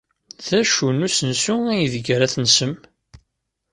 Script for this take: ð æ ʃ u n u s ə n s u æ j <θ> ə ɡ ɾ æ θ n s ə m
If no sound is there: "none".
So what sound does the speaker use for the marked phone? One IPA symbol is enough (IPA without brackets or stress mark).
ð